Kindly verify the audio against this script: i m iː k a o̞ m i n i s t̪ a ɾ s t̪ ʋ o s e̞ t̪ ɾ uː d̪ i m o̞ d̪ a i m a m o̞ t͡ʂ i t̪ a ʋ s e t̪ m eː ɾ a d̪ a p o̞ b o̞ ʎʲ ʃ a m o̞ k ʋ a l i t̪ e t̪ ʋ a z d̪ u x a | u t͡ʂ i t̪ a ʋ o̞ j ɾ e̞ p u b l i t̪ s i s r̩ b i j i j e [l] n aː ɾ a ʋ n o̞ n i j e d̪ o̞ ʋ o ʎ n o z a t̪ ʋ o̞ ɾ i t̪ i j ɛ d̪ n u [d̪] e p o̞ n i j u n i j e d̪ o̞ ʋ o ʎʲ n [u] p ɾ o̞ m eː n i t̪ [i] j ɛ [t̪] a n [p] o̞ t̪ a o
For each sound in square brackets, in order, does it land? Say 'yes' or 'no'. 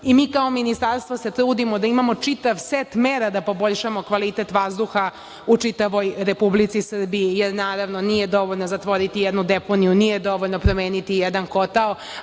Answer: no, yes, no, yes, no, no

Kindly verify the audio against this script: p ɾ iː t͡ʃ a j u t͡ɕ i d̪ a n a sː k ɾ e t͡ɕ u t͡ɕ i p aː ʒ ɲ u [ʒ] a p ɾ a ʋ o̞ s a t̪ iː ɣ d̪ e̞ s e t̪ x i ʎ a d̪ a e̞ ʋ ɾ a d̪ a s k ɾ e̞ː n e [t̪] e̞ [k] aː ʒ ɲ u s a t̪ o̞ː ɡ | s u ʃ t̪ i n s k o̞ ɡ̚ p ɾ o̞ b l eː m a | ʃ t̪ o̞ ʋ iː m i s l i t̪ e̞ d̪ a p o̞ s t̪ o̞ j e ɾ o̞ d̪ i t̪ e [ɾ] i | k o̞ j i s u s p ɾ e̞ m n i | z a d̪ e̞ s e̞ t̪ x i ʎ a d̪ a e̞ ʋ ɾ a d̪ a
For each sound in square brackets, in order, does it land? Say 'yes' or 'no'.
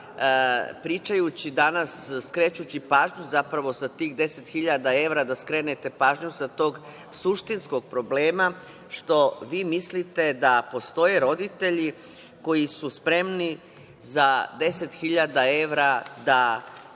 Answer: no, yes, no, no

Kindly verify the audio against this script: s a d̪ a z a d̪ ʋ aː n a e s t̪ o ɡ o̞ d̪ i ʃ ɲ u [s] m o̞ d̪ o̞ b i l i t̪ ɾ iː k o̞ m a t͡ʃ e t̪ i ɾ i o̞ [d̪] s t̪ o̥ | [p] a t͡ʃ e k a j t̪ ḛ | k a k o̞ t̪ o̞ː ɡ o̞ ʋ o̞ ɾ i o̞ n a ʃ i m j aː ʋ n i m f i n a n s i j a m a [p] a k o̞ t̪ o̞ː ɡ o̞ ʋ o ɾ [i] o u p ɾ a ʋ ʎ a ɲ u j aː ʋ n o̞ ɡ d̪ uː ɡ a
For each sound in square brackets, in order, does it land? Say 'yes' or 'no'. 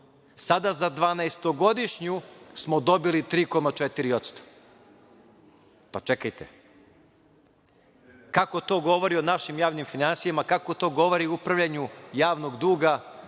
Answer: yes, no, yes, no, yes

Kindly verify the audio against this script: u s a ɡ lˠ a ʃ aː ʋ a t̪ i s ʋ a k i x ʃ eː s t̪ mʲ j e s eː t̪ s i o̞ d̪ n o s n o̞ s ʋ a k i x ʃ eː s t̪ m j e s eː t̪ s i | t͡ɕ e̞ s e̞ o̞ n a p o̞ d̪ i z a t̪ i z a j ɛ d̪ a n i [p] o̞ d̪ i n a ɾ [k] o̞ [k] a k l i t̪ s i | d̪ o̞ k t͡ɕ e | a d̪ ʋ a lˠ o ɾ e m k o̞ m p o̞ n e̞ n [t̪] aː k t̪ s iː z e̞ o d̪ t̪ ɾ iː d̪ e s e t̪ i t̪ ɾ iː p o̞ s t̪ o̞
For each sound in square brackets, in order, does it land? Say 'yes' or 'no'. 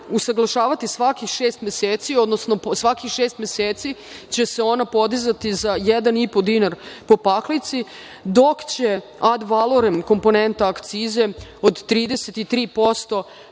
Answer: yes, no, no, yes

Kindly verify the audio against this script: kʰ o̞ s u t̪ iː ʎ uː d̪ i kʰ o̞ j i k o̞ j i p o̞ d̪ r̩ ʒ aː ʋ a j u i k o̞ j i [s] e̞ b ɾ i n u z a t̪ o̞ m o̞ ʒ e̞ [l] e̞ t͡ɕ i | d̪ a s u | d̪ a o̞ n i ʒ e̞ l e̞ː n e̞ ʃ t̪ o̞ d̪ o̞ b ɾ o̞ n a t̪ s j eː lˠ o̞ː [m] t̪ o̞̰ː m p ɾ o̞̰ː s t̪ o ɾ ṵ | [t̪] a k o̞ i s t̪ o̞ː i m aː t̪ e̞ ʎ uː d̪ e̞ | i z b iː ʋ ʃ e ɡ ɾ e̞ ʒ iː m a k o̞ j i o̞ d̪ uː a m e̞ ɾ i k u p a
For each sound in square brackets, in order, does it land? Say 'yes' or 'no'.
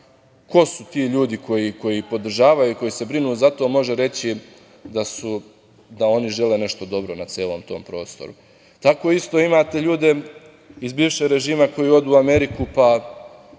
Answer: yes, no, yes, yes

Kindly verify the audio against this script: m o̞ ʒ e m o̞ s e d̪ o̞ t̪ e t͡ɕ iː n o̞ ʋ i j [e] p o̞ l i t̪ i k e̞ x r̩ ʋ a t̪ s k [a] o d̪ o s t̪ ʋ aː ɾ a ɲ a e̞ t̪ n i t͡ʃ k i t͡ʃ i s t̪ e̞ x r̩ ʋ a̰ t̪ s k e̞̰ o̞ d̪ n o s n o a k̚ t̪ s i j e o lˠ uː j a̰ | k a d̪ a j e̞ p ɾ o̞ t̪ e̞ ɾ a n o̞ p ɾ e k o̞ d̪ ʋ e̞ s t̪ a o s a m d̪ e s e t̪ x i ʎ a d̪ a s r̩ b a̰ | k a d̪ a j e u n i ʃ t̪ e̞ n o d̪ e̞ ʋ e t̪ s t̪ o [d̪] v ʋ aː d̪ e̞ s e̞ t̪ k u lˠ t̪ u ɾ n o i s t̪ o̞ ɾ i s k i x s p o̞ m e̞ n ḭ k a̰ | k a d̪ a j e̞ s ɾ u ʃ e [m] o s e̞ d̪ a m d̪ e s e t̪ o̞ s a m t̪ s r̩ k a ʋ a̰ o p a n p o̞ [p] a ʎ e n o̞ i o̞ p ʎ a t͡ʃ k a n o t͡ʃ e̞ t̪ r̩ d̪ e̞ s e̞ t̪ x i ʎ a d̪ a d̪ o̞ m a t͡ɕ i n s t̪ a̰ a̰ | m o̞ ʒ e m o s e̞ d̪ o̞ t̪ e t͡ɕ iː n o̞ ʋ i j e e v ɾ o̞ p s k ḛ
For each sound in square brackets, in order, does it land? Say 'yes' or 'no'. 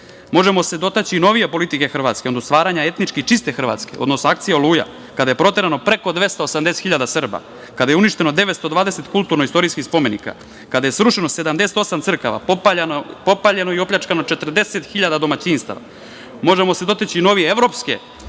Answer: yes, no, yes, no, yes

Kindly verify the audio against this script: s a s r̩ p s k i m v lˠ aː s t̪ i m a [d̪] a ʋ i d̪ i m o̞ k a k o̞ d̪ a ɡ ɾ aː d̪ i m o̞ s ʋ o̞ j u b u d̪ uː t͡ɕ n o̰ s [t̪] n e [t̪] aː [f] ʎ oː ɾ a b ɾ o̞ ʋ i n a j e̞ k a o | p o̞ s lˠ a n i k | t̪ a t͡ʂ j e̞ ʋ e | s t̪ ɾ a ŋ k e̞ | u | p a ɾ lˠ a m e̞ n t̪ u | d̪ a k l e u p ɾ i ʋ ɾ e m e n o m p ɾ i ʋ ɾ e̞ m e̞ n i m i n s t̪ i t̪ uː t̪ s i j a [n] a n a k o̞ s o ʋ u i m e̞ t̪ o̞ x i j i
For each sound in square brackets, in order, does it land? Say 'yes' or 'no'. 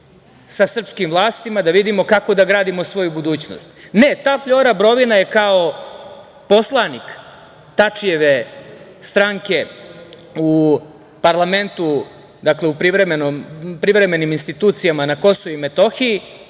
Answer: yes, yes, yes, yes, no

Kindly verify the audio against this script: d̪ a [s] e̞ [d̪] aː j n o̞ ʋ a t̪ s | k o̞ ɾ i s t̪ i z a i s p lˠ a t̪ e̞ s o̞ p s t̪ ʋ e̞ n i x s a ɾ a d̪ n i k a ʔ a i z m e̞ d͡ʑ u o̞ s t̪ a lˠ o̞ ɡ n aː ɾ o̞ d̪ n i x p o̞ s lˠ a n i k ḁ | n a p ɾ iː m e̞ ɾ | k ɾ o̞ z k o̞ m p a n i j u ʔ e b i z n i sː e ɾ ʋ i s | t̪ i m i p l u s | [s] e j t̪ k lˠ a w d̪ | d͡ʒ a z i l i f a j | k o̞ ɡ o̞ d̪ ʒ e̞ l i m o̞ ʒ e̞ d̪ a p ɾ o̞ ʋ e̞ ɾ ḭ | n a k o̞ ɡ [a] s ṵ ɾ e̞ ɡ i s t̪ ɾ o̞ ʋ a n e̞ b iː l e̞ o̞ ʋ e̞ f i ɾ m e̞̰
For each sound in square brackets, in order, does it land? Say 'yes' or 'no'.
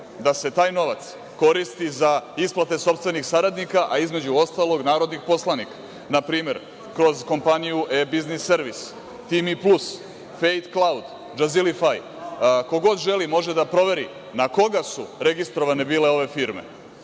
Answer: yes, no, no, yes

